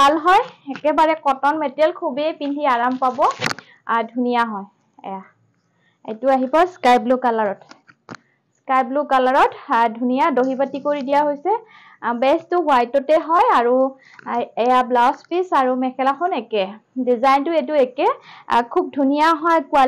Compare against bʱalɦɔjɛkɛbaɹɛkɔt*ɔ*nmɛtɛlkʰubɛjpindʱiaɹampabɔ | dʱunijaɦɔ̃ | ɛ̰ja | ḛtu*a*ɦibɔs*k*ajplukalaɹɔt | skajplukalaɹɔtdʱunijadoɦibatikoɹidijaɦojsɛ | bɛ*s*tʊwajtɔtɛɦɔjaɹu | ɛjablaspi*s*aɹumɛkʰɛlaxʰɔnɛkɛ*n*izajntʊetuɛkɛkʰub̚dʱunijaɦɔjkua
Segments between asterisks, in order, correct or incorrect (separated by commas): correct, correct, correct, correct, correct, incorrect